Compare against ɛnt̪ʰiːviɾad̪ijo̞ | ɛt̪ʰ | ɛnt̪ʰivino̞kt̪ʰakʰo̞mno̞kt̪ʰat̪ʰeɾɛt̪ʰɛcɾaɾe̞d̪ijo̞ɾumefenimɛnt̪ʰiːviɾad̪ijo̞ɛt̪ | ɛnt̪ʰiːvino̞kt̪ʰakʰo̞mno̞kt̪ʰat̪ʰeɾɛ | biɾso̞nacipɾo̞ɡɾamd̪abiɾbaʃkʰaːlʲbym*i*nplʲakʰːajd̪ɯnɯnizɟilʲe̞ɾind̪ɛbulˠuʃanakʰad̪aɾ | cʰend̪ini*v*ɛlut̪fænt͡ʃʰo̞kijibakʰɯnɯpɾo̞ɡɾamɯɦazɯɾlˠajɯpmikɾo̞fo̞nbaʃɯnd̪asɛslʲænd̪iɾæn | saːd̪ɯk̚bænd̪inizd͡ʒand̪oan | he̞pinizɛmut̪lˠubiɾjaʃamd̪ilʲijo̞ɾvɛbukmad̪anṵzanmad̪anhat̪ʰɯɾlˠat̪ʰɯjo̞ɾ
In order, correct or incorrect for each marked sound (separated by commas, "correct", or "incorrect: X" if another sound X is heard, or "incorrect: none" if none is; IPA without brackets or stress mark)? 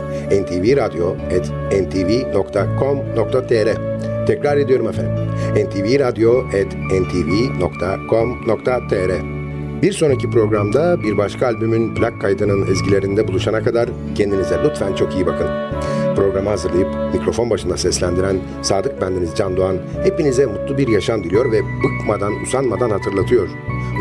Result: incorrect: y, incorrect: z